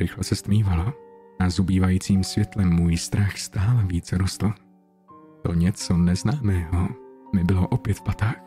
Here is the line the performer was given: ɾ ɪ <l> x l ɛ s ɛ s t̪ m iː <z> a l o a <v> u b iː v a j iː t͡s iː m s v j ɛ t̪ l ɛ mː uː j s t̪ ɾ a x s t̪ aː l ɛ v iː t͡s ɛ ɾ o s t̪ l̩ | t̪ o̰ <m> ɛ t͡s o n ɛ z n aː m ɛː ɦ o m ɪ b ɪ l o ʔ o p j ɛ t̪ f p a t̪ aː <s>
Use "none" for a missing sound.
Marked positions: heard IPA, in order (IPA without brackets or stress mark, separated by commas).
none, v, z, ɲ, x